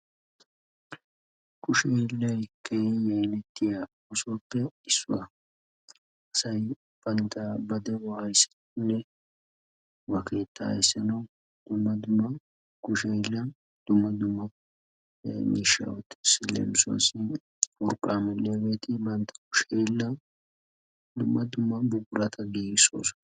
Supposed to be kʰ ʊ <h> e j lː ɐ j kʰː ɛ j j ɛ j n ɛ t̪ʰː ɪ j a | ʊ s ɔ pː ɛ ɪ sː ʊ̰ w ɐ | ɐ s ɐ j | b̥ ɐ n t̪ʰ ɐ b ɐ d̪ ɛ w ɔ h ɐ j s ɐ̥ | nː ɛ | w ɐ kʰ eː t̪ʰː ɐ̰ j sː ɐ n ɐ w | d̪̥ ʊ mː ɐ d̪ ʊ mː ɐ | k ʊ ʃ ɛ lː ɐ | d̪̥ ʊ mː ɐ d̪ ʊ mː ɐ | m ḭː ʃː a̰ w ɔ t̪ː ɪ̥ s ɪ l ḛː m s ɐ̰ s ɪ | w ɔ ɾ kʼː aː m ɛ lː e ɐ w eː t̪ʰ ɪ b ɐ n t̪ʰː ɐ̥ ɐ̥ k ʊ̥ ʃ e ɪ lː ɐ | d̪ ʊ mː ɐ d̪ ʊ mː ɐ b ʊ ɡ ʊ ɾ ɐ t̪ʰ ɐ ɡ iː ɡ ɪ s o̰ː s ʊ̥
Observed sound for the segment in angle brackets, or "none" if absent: ʃ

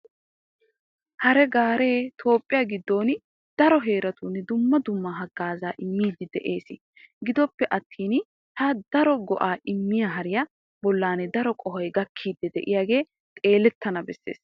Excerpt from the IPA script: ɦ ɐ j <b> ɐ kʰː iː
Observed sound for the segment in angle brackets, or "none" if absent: ɡ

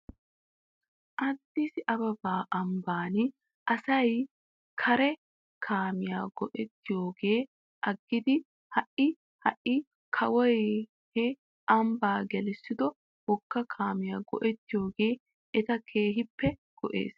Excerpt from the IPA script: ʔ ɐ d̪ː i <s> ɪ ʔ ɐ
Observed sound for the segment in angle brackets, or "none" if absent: s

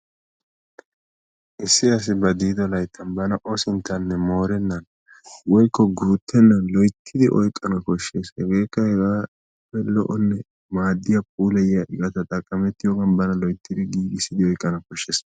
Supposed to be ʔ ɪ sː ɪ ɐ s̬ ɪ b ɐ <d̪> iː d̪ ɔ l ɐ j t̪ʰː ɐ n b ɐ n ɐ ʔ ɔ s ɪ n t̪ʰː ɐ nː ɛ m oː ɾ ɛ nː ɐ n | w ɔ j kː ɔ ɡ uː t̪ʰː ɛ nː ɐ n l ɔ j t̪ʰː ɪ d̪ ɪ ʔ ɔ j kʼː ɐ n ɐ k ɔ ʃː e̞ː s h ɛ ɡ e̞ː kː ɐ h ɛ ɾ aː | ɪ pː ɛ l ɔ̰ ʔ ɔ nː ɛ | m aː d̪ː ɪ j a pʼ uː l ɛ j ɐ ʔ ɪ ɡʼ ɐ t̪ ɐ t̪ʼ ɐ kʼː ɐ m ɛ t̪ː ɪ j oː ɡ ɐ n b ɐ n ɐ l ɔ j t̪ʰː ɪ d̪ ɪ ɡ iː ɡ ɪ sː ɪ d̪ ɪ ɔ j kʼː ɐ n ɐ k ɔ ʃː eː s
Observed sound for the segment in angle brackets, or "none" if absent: d̪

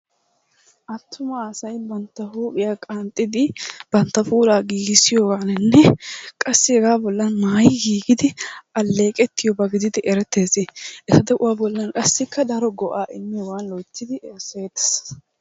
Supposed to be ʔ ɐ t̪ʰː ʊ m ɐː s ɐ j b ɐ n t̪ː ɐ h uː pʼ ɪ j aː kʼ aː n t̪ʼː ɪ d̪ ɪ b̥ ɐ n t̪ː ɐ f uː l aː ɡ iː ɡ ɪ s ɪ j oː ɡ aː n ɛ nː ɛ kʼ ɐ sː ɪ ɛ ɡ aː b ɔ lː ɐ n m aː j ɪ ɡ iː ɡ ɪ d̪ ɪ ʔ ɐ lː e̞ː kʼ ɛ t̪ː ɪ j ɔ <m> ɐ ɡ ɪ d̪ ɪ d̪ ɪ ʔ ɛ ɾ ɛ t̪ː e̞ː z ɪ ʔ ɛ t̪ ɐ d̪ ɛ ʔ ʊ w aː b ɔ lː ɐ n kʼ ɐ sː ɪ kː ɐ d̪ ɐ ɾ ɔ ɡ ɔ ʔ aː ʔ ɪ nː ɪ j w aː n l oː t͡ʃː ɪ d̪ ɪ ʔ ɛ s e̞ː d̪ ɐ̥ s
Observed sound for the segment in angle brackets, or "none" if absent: b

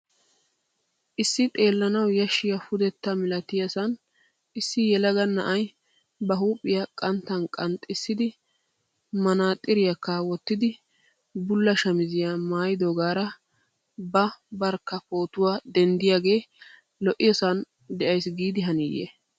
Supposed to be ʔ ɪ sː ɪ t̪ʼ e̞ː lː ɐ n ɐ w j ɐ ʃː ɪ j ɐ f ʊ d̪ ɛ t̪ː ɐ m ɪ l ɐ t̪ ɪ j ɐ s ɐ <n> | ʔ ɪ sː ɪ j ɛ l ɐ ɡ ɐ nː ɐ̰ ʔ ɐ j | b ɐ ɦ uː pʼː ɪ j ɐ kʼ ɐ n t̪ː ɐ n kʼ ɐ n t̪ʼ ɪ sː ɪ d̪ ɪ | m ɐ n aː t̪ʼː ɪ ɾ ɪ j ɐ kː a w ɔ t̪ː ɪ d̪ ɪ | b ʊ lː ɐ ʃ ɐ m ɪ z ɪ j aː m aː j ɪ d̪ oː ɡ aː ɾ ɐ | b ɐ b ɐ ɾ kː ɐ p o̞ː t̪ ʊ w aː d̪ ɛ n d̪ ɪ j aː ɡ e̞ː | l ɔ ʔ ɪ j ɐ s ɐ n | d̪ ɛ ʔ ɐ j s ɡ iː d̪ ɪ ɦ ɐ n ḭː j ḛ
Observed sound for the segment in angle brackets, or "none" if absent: n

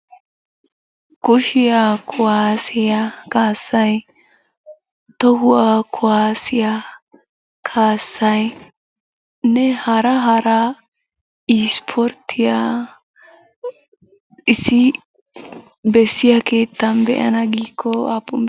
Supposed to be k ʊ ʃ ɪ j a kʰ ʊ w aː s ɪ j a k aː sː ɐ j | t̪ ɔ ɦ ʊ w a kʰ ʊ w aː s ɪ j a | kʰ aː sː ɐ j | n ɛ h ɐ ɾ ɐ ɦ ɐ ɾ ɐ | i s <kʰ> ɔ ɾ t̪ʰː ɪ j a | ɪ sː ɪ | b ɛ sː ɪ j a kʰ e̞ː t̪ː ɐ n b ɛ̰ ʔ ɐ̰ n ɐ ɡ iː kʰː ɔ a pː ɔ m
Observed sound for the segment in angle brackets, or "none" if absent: pʰ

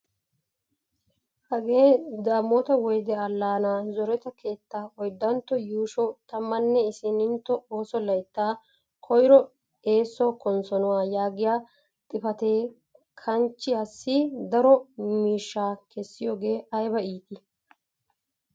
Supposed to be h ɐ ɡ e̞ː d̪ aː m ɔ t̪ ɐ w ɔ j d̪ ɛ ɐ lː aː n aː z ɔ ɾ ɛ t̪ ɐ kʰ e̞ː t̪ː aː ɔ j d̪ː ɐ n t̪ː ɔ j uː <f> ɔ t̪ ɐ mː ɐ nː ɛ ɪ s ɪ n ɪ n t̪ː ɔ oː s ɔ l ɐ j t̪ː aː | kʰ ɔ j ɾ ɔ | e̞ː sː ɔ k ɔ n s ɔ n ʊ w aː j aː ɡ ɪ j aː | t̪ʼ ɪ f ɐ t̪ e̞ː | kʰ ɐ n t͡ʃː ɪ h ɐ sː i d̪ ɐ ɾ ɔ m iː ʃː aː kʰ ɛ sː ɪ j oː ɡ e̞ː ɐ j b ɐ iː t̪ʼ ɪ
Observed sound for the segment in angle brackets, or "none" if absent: ʃ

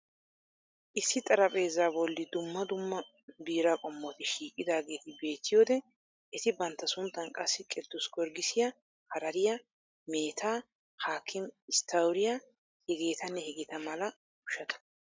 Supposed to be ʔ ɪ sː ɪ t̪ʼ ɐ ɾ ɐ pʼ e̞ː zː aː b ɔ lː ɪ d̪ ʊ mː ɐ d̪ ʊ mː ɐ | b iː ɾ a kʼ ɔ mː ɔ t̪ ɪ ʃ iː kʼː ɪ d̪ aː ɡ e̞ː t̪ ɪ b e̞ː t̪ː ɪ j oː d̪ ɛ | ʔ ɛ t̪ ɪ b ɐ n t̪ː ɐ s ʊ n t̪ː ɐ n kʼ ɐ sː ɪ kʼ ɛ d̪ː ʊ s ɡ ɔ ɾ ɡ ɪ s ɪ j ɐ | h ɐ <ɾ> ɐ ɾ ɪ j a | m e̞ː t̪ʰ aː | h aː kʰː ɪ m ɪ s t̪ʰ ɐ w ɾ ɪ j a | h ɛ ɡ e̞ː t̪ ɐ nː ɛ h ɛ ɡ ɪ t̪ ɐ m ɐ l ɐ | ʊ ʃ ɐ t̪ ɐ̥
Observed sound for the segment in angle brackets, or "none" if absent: ɾ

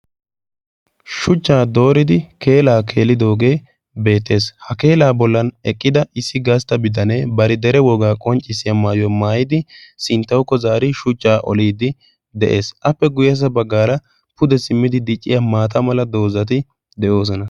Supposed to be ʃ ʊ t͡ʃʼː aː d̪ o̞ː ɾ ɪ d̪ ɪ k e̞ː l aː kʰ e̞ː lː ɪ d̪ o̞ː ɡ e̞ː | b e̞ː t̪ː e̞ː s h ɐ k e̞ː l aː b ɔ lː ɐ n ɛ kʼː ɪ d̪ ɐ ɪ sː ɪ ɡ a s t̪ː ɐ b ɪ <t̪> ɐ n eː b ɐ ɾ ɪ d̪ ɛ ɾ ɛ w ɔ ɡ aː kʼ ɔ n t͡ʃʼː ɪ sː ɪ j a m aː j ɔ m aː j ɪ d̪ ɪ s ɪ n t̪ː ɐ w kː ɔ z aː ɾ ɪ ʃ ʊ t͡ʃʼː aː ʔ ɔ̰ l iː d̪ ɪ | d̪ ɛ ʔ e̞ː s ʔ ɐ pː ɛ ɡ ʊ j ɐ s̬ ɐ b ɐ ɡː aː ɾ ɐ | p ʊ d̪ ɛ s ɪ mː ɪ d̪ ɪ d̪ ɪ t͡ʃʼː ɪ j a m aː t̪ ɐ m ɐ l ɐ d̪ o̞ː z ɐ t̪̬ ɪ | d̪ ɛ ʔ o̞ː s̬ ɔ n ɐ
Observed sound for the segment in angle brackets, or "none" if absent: d̪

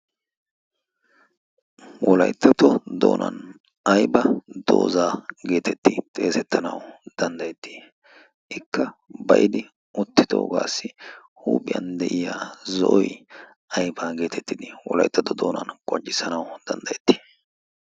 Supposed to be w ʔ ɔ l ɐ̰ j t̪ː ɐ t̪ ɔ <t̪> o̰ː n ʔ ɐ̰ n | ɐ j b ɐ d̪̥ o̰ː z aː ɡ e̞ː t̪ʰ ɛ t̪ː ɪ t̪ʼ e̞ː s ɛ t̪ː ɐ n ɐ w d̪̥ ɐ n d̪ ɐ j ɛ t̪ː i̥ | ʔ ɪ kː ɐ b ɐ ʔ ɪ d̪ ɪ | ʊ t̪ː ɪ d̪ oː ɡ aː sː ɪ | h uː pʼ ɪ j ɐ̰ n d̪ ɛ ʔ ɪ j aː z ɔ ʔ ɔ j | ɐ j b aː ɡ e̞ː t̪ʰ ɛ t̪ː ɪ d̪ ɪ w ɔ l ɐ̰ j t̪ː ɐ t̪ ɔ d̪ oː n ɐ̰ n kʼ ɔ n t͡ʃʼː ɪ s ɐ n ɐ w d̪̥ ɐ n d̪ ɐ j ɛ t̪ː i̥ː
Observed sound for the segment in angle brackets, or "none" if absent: d̪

